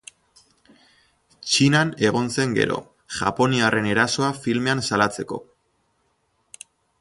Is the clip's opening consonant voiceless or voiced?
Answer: voiceless